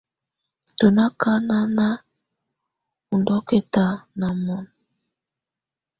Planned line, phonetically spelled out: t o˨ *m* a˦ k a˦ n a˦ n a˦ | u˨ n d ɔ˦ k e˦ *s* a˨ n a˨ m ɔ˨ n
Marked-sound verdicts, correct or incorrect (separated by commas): incorrect, incorrect